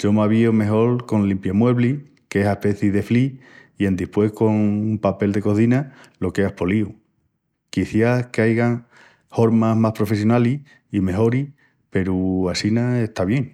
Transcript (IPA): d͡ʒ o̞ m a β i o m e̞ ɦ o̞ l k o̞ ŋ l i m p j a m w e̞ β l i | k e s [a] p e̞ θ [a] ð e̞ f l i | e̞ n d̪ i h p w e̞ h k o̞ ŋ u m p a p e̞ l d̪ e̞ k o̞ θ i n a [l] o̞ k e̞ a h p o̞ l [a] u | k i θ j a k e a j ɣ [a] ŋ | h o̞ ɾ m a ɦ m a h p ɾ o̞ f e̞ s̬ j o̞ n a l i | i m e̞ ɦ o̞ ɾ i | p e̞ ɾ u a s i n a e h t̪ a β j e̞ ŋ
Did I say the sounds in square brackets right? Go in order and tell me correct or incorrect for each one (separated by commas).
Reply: correct, incorrect, correct, incorrect, correct